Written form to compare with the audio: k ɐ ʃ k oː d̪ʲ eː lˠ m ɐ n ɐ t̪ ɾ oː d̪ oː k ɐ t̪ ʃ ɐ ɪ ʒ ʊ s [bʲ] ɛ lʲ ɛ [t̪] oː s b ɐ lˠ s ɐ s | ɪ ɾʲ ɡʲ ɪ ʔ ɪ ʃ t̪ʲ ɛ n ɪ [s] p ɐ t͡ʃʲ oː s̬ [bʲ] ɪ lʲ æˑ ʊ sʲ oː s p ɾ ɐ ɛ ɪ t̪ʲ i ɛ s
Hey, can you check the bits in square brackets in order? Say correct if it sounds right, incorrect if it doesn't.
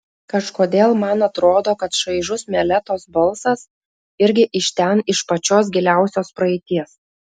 incorrect, correct, incorrect, incorrect

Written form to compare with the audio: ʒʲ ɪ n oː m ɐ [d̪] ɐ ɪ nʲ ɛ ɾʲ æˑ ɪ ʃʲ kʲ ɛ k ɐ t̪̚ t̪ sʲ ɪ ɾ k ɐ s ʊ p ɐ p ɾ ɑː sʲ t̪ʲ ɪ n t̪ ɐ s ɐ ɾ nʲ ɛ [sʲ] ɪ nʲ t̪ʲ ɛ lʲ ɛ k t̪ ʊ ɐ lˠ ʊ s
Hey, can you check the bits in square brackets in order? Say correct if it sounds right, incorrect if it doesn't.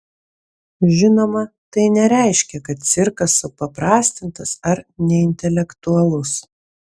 incorrect, incorrect

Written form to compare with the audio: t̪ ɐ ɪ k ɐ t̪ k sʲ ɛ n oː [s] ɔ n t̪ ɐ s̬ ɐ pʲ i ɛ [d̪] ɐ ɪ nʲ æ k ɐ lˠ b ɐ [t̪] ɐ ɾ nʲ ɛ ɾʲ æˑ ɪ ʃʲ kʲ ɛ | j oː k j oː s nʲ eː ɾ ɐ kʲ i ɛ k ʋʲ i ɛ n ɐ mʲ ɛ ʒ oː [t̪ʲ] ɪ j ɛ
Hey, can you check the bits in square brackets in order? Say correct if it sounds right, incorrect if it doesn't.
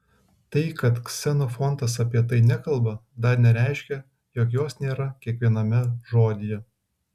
incorrect, incorrect, incorrect, incorrect

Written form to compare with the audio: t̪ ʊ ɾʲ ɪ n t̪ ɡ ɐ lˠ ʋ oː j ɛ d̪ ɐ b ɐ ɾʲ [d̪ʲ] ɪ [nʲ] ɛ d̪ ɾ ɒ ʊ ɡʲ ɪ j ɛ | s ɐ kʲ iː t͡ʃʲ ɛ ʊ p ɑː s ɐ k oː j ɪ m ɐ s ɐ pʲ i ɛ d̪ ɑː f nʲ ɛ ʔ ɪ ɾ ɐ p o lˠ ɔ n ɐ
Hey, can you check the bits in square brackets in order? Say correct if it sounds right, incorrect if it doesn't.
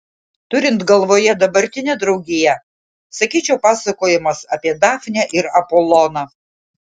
incorrect, correct

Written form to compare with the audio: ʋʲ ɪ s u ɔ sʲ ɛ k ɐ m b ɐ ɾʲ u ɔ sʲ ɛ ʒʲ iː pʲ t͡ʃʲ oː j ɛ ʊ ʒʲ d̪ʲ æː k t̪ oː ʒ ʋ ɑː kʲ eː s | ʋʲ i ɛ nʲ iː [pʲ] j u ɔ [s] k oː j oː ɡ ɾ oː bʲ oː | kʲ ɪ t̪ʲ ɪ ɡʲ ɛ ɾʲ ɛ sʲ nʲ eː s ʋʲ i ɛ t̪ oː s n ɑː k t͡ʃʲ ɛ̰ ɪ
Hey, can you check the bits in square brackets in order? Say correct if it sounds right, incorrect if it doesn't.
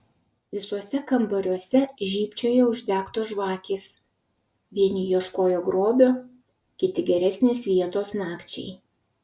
incorrect, incorrect

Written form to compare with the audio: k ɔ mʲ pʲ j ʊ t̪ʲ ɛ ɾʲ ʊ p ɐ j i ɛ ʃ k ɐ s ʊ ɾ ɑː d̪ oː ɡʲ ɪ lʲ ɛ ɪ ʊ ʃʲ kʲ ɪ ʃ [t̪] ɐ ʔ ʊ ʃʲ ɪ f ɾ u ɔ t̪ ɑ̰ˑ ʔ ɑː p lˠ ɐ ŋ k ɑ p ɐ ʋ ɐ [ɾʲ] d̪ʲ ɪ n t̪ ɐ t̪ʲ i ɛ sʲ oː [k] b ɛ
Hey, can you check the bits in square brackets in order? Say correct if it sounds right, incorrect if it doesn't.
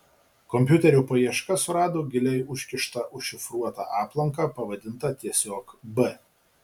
correct, incorrect, correct

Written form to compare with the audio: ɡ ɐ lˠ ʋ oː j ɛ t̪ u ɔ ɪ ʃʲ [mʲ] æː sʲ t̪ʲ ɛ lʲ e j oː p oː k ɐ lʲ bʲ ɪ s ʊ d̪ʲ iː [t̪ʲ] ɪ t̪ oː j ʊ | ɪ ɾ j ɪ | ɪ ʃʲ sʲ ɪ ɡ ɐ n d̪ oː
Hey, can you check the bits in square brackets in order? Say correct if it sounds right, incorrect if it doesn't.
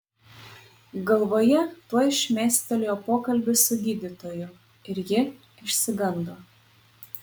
correct, incorrect

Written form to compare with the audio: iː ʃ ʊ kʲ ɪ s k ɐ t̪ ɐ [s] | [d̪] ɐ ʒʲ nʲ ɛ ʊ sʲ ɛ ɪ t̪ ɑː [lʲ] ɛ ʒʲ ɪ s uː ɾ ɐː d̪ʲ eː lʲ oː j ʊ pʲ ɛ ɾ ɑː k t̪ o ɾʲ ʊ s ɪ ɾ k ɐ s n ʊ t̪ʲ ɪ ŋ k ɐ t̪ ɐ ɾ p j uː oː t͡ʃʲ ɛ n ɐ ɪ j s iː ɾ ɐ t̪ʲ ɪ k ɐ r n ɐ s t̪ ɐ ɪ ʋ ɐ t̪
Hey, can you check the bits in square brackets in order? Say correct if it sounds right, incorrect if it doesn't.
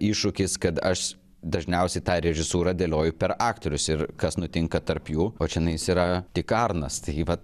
incorrect, correct, incorrect

